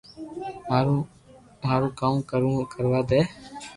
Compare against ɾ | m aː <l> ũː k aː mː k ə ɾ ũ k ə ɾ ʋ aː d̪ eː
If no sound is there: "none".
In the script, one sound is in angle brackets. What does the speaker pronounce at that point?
ɾ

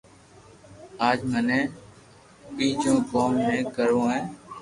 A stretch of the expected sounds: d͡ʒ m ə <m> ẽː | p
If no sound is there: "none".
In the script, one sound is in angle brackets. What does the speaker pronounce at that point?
n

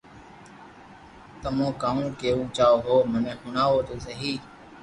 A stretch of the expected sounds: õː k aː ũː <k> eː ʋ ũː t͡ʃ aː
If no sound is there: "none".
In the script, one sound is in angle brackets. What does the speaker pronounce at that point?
k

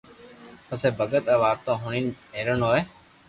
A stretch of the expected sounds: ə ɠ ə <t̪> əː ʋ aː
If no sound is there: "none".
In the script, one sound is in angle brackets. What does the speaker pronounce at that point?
t̪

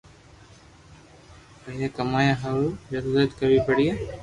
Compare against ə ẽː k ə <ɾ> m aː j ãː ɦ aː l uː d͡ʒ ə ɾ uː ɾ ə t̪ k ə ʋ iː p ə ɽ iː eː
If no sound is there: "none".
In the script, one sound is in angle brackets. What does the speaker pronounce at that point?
none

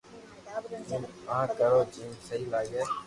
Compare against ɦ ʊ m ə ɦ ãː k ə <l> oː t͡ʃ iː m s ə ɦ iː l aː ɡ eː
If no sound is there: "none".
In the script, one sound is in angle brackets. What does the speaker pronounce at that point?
ɾ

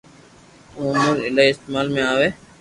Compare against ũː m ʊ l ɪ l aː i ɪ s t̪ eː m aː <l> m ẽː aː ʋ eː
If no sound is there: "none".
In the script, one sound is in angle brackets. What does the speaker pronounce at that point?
l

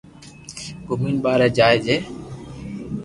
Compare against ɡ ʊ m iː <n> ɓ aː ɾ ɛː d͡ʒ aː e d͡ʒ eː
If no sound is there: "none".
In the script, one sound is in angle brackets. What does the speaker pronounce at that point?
n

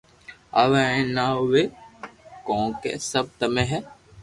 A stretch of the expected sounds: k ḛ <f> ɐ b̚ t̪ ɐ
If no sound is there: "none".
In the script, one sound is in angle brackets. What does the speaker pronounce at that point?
s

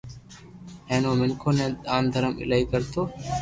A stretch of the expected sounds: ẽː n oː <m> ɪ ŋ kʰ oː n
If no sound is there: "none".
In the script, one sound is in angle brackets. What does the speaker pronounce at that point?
m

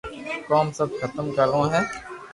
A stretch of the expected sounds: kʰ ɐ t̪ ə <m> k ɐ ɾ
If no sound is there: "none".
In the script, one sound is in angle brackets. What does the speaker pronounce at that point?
m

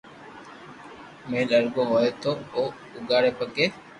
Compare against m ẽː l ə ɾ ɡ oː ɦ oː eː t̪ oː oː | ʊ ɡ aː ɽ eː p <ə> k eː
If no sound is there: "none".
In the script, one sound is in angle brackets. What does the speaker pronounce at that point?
ə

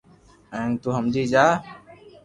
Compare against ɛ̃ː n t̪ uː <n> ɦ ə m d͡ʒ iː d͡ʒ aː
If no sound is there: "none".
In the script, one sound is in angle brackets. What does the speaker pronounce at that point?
none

